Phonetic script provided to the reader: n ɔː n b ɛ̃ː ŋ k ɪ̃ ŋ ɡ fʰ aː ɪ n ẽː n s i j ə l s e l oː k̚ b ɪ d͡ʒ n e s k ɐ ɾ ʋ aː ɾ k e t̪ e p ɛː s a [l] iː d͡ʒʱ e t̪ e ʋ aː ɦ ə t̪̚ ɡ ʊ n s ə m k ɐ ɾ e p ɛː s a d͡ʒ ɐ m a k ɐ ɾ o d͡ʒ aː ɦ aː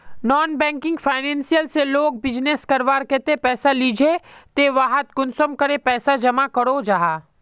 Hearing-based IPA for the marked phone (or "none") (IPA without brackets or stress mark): l